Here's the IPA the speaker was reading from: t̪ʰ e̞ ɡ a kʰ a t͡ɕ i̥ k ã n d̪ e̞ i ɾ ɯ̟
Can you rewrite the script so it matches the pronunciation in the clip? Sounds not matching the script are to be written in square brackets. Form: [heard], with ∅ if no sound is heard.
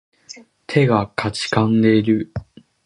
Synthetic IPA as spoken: t̪ʰ e̞ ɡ a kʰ a t͡ɕ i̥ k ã n d̪ e̞ i ɾ ɯ̟